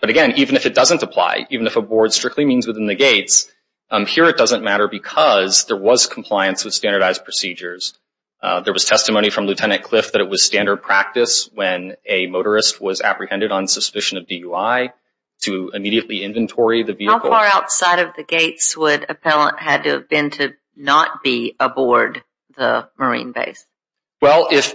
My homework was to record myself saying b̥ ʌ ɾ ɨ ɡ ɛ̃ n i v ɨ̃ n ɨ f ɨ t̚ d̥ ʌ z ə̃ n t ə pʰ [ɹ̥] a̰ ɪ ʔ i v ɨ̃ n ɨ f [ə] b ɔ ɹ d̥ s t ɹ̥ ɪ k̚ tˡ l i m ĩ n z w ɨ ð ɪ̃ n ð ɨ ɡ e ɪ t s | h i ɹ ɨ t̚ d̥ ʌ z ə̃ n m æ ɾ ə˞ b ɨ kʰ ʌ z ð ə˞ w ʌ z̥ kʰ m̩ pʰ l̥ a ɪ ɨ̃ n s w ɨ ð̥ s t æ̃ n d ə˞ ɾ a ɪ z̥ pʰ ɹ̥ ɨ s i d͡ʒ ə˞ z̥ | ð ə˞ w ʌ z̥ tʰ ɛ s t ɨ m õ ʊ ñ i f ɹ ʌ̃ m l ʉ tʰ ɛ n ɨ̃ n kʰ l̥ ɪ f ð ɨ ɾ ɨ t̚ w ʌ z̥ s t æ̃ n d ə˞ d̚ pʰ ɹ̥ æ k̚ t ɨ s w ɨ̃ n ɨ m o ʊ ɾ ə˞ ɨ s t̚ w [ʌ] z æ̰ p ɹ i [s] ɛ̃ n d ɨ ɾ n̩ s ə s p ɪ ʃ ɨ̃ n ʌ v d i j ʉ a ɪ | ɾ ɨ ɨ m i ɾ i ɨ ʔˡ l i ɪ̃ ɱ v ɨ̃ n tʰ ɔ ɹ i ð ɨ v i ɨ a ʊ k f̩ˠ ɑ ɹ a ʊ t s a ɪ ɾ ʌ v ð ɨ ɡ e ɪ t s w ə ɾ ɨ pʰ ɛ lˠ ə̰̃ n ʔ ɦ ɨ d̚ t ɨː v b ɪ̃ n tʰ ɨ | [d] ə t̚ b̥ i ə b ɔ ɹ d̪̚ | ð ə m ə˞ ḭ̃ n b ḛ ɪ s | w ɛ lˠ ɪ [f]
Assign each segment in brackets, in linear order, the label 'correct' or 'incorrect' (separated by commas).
incorrect, correct, correct, incorrect, incorrect, correct